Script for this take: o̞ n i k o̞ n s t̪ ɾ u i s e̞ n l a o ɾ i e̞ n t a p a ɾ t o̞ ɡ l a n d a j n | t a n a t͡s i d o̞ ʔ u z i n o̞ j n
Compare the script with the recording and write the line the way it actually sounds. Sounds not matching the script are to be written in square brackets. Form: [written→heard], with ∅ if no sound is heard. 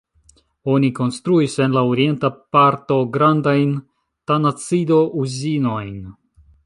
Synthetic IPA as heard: o̞ n i k o̞ n s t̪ ɾ u i s e̞ n l a o ɾ i e̞ n t a p a ɾ t o̞ ɡ [l→ɾ] a n d a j n | t a n a t͡s i d o̞ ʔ u z i n o̞ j n